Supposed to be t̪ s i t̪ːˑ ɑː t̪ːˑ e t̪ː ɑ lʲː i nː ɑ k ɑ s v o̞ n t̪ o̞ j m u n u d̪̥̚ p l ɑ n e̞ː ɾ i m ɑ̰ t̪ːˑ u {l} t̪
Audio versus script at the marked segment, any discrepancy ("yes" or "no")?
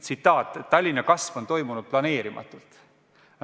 no